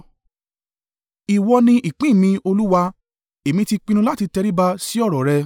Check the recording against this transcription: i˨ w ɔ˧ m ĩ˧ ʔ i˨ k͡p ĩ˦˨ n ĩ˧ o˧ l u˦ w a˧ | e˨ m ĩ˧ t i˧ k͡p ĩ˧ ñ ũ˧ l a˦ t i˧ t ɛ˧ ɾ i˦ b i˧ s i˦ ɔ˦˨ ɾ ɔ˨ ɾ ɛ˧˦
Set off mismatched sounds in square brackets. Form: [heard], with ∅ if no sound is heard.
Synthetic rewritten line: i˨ w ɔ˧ [n] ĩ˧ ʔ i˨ k͡p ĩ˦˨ [m] ĩ˧ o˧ l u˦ w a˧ | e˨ m ĩ˧ t i˧ k͡p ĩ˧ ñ ũ˧ l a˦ t i˧ t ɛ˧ ɾ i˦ b [a˧] s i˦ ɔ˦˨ ɾ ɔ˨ ɾ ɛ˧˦

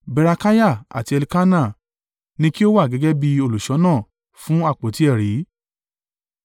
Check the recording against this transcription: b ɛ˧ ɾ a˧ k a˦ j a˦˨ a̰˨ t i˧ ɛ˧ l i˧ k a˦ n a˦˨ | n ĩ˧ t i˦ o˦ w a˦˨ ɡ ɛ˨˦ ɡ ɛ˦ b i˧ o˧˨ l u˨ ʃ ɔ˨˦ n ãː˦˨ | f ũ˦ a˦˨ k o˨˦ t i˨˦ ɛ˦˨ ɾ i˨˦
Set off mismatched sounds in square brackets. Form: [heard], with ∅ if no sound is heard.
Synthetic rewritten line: b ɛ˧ ɾ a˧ k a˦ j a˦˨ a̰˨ t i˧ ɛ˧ l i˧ k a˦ n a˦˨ | n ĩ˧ [k] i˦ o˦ w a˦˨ ɡ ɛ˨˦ ɡ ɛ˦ b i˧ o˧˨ l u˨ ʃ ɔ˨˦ n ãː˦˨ | f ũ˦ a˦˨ [k͡p] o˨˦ t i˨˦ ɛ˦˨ ɾ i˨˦

